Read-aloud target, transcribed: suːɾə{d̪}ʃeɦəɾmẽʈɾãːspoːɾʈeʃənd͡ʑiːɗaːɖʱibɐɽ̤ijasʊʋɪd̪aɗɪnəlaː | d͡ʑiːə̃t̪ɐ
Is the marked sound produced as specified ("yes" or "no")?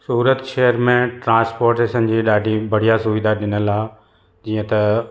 no